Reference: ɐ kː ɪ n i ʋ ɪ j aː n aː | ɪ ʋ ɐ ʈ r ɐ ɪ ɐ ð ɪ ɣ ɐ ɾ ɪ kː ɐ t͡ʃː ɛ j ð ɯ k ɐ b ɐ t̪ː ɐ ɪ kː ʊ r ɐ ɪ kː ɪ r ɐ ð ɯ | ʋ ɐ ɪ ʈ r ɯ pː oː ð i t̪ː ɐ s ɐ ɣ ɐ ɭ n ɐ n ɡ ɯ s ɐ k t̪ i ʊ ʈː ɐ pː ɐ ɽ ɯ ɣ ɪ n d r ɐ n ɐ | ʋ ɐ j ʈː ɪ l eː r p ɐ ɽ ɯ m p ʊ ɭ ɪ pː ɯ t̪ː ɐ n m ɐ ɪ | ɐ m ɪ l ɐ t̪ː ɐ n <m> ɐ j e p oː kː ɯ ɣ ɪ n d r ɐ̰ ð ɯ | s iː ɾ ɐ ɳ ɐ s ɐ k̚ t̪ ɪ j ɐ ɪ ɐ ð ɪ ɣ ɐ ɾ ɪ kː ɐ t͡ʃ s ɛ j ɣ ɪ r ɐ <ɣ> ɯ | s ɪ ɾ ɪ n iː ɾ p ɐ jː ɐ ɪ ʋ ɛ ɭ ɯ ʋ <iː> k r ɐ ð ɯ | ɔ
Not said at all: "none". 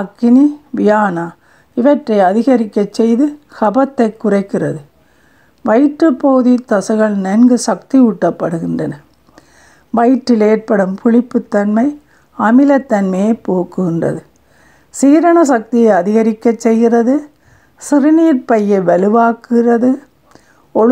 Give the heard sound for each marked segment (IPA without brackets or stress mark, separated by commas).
m, ð, aː